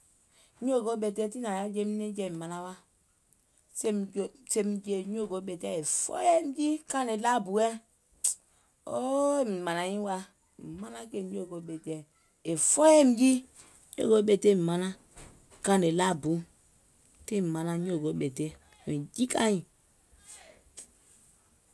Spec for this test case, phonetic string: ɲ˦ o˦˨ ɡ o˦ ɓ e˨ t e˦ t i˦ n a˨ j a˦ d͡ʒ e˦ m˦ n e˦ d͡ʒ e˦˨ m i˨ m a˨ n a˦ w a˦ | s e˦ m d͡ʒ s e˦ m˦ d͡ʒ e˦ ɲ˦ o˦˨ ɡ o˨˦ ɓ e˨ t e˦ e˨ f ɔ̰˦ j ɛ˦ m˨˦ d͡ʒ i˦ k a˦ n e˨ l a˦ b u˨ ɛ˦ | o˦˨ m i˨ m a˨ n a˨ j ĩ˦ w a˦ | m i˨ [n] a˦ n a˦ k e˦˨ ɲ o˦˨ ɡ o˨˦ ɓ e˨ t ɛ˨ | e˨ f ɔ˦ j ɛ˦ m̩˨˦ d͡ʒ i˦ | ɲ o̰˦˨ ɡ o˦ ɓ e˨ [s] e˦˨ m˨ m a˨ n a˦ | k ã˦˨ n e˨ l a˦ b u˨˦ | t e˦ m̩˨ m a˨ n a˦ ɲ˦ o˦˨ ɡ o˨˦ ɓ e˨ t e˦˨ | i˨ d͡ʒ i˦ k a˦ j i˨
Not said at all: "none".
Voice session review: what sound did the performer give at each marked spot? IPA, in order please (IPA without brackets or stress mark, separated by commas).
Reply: m, t